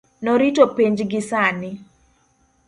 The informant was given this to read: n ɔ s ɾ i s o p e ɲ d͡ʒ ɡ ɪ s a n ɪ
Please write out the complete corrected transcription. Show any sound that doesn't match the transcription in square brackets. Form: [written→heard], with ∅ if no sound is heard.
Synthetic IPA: n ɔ [s→∅] ɾ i [s→t] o p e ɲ d͡ʒ ɡ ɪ s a n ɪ